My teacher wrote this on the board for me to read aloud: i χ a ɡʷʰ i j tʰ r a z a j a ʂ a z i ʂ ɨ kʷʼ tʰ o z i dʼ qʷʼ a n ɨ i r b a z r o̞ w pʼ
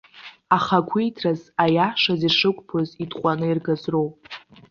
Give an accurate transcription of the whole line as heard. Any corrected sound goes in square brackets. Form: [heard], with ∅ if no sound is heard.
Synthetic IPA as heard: [a] χ a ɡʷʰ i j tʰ r a z a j a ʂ a z i ʂ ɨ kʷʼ [pʰ] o z i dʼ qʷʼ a n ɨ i r [ɡ] a z r o̞ w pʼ